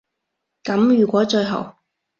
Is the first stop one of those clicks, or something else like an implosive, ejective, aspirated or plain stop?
plain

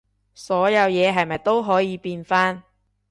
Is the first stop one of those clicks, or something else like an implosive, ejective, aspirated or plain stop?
plain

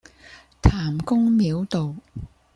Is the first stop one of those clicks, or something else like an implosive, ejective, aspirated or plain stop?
aspirated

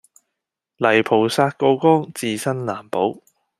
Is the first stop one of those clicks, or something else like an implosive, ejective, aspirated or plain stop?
aspirated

